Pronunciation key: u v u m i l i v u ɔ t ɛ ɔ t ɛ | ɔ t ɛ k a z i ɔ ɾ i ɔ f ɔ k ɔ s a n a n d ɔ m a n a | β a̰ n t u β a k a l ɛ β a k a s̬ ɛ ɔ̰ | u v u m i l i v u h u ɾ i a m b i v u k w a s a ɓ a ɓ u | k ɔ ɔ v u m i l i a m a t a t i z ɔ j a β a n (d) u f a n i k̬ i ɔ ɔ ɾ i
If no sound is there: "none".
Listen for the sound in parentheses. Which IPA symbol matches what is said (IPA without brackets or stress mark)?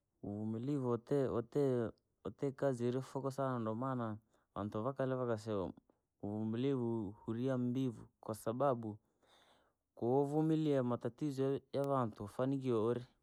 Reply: t